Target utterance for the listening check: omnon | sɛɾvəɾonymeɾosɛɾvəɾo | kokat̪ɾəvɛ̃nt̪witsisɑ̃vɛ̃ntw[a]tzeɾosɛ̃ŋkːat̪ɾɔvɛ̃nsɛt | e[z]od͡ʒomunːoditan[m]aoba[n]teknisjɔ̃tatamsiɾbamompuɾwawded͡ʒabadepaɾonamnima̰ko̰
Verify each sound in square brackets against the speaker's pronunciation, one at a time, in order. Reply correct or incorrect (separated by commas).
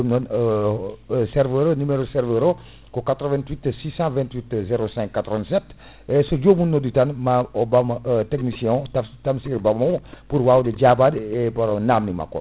incorrect, incorrect, correct, incorrect